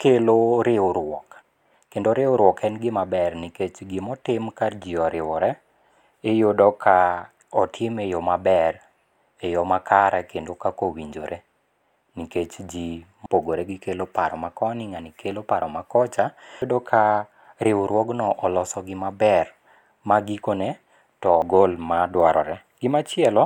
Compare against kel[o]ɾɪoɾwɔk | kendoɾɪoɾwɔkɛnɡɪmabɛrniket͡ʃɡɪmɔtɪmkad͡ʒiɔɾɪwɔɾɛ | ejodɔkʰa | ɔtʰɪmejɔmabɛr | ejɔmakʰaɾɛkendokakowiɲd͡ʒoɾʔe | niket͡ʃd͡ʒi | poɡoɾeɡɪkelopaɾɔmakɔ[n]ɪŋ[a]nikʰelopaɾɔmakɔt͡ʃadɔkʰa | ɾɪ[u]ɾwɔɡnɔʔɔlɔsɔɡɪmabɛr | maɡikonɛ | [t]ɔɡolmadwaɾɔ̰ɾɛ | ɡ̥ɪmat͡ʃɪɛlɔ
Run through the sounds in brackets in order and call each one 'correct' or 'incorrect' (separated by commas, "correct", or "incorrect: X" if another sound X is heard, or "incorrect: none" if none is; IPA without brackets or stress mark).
correct, correct, correct, incorrect: w, correct